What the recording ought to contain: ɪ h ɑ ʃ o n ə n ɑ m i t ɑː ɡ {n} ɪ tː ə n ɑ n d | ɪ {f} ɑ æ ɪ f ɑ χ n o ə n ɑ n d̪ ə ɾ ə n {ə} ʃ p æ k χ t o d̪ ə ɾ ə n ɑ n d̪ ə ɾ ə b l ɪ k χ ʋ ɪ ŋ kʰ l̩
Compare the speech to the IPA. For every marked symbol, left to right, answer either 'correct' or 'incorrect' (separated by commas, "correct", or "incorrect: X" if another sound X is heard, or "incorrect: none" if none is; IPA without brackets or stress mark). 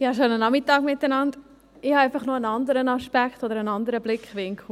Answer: incorrect: m, incorrect: h, incorrect: ɑ